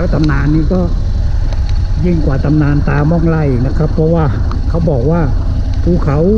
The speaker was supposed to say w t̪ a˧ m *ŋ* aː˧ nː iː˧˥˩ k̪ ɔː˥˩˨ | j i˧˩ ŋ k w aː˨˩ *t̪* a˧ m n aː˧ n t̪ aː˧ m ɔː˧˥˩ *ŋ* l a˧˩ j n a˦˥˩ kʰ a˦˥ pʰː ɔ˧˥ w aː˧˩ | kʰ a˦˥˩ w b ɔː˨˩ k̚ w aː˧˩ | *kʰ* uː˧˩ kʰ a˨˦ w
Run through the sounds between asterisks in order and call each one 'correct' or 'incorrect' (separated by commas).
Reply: incorrect, correct, correct, incorrect